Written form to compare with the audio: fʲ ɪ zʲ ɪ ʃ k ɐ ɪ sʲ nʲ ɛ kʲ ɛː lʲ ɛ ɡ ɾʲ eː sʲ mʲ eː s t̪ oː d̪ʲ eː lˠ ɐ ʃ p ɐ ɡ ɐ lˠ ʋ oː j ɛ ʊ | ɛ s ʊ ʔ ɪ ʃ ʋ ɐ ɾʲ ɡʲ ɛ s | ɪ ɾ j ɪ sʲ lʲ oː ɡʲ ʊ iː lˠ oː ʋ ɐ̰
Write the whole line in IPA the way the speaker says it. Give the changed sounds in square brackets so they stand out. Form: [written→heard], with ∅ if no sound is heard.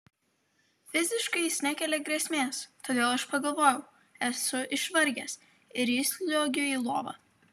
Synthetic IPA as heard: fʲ ɪ zʲ ɪ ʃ k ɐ ɪ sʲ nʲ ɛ kʲ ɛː lʲ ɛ ɡ ɾʲ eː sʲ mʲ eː s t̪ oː d̪ʲ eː lˠ ɐ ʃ p ɐ ɡ ɐ lˠ ʋ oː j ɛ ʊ | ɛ s ʊ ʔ ɪ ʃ ʋ ɐ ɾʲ ɡʲ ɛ s | ɪ ɾ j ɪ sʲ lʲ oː ɡʲ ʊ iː lˠ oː ʋ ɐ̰